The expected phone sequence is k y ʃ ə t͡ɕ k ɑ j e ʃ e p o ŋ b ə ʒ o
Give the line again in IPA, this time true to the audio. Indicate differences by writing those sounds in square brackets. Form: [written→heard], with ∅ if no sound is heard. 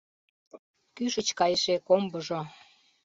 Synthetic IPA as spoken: k y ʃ ə t͡ɕ k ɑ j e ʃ e [p→k] o [ŋ→m] b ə ʒ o